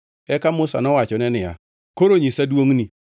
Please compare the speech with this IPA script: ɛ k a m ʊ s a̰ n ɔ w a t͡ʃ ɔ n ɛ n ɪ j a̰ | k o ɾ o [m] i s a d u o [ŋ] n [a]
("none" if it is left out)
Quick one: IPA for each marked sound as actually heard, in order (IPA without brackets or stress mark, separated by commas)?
ɲ, ŋ, i